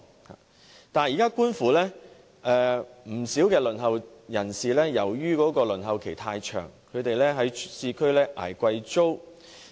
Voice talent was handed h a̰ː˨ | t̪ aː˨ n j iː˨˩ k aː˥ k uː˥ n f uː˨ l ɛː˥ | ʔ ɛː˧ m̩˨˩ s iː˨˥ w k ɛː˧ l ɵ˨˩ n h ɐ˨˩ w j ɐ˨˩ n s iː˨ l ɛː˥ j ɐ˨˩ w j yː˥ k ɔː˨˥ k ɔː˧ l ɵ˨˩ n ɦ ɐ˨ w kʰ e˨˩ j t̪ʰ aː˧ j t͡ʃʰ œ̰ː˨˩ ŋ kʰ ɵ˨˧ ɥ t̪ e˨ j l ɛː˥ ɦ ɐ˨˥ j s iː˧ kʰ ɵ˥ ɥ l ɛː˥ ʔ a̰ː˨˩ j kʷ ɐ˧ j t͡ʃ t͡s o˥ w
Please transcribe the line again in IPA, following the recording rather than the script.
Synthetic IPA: h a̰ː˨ | t̪ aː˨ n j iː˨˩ k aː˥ k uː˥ n f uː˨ l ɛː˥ | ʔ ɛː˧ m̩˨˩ s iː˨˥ w k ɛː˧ l ɵ˨˩ n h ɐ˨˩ w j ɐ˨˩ n s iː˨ l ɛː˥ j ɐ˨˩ w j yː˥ k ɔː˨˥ k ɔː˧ l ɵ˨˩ n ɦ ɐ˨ w kʰ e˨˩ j t̪ʰ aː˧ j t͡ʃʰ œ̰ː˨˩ ŋ kʰ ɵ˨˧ ɥ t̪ e˨ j l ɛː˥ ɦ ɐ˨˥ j s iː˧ kʰ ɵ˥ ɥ l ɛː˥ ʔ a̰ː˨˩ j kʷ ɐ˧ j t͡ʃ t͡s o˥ w